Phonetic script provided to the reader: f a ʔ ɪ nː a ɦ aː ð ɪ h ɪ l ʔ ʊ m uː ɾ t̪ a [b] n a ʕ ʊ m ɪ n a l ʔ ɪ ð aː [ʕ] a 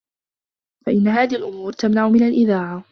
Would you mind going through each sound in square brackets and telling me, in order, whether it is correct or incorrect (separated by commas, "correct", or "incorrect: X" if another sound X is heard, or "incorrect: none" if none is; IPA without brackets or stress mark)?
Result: incorrect: m, correct